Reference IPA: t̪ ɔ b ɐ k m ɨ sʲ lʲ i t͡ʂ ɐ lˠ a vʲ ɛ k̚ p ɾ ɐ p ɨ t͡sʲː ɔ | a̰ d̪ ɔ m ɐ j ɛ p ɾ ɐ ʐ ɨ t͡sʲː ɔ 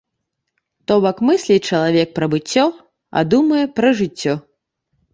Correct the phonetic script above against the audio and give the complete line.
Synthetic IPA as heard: t̪ ɔ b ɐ k m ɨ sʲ lʲ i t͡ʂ ɐ lˠ a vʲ ɛ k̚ p ɾ ɐ b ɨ t͡sʲː ɔ | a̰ d̪ u m ɐ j ɛ p ɾ ɐ ʐ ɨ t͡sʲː ɔ